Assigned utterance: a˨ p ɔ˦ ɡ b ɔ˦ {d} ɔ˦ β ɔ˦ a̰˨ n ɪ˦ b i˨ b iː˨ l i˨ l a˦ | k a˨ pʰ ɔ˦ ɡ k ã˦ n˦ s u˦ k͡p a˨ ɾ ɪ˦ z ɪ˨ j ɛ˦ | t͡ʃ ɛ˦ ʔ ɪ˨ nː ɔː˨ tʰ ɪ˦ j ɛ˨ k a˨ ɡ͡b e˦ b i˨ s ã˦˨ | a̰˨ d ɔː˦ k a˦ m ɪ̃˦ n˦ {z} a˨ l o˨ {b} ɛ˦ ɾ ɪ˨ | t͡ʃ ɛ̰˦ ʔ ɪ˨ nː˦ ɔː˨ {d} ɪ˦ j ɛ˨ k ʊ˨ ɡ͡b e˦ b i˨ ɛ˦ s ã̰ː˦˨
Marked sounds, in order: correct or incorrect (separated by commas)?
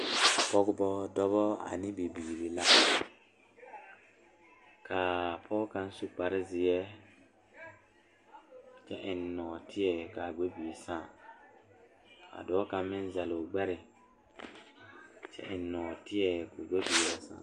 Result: correct, correct, incorrect, incorrect